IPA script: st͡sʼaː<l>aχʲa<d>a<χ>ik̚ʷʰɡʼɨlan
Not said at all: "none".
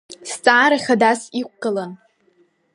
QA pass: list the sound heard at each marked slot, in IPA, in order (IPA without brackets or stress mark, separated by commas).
ɾ, d, s